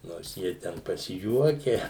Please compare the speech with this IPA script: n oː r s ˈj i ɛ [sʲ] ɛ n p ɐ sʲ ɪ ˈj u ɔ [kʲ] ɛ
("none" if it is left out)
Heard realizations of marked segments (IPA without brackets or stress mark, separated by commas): tʲ, kʲ